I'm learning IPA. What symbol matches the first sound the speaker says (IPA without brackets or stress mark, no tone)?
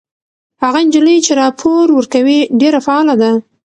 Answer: h